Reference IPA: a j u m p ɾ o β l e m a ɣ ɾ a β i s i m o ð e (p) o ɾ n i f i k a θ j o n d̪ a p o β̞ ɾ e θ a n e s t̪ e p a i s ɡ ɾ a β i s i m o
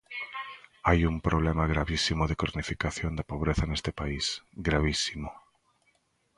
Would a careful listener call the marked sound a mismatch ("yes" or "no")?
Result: yes